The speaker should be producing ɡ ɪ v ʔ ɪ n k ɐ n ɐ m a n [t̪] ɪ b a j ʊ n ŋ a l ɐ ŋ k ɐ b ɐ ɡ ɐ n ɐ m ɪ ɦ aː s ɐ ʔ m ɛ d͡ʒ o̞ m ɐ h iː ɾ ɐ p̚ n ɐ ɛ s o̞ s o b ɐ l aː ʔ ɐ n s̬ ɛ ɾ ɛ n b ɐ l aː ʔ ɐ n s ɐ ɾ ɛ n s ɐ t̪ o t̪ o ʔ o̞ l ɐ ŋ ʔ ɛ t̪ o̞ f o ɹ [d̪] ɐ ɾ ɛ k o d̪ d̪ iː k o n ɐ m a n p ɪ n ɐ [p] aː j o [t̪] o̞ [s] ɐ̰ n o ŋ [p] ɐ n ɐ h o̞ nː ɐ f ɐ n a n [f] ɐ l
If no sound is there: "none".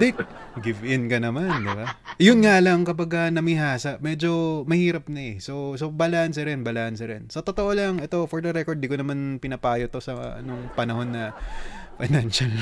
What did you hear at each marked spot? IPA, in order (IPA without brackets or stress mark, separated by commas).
d̪, d̪, p, t̪, s, p, ʃ